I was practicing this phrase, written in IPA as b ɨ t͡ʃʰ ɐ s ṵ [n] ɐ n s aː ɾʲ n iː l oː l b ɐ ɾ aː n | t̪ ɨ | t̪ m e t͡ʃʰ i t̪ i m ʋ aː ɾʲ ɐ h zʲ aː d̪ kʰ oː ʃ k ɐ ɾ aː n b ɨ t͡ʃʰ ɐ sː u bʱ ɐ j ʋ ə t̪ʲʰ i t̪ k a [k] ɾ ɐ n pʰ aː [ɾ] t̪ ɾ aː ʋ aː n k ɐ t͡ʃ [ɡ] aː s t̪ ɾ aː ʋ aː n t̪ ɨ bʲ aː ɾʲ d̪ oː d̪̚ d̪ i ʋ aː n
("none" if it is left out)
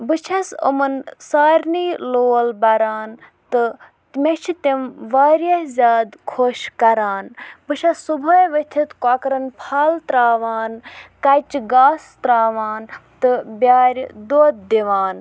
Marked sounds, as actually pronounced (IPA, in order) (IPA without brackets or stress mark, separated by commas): m, k, l, ɡ